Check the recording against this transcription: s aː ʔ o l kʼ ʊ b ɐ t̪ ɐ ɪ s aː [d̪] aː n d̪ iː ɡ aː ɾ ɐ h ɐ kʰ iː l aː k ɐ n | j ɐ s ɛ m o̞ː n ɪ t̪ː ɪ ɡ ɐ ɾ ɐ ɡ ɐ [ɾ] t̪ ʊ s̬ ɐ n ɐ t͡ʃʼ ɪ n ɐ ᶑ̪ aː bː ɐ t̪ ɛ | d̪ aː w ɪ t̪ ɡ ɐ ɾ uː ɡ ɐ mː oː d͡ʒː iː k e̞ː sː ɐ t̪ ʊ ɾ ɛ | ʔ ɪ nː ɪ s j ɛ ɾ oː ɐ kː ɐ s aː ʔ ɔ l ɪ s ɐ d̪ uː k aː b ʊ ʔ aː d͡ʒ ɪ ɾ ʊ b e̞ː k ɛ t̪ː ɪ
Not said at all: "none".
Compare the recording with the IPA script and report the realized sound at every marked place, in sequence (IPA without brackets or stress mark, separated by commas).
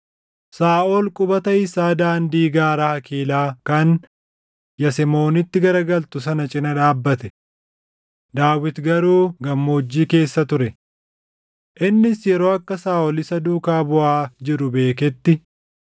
d̪, l